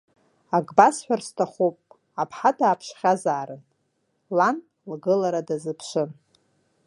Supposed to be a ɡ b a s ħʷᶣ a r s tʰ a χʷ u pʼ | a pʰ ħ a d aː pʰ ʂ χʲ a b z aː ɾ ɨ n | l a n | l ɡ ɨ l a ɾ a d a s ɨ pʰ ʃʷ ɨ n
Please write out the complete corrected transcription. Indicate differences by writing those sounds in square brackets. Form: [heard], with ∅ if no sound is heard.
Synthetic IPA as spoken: a ɡ b a s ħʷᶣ a r s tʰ a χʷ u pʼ | a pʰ ħ a d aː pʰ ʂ χʲ a [∅] z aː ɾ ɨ n | l a n | l ɡ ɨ l a ɾ a d a [z] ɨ pʰ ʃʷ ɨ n